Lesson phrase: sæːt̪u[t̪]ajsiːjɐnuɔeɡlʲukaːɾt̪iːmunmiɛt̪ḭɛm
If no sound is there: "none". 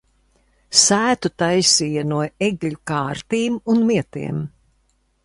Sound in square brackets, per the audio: t̪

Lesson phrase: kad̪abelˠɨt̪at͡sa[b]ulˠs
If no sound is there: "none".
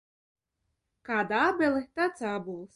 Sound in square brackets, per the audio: b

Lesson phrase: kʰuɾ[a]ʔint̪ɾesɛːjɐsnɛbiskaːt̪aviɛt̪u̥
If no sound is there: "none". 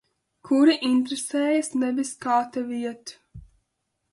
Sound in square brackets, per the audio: i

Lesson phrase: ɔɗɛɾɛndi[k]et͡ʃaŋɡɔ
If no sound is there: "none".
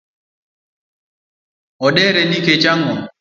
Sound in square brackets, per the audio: k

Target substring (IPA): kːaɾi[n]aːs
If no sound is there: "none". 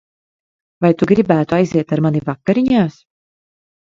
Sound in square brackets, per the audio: ɲ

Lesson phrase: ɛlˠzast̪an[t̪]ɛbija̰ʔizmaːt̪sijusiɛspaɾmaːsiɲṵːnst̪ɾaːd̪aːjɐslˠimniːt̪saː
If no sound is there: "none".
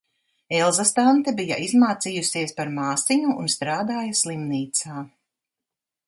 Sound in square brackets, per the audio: t̪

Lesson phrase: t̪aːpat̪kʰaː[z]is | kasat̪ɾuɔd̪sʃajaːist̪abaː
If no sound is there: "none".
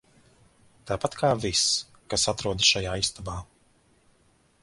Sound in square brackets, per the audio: v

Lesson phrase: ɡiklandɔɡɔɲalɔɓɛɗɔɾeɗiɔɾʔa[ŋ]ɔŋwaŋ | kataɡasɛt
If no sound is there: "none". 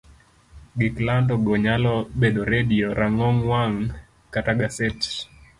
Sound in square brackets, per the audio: ŋ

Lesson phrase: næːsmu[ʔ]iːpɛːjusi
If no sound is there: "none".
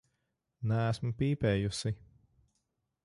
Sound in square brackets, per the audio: p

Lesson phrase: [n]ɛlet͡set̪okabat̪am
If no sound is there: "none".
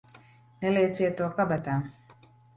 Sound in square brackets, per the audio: n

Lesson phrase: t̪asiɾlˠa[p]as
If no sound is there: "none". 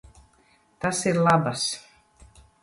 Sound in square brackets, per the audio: b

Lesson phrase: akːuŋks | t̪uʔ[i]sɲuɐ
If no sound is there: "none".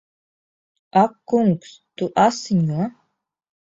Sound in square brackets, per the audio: a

